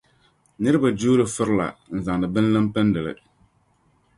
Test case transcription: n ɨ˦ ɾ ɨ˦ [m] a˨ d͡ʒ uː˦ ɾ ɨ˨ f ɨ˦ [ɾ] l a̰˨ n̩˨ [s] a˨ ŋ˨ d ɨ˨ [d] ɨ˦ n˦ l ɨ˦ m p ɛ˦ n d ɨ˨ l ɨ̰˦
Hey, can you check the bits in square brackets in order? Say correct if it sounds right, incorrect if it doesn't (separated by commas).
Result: incorrect, correct, incorrect, incorrect